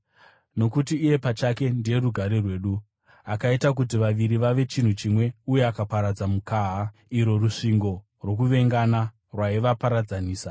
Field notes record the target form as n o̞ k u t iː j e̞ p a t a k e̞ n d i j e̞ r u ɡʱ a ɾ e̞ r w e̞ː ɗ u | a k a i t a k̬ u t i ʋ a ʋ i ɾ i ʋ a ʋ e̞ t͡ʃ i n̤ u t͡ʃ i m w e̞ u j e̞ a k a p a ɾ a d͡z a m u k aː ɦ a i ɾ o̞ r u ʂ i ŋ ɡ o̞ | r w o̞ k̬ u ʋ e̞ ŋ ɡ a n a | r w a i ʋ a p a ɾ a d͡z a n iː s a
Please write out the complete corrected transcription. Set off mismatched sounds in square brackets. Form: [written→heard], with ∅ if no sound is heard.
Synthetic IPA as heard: n o̞ k u t iː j e̞ p a [t→t͡ʃ] a k e̞ n d i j e̞ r u ɡʱ a ɾ e̞ r w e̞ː ɗ u | a k a i t a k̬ u t i ʋ a ʋ i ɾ i ʋ a ʋ e̞ t͡ʃ i n̤ u t͡ʃ i m w e̞ u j e̞ a k a p a ɾ a d͡z a m u k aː ɦ a i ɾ o̞ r u ʂ i ŋ ɡ o̞ | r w o̞ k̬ u ʋ e̞ ŋ ɡ a n a | r w a i ʋ a p a ɾ a d͡z a n iː s a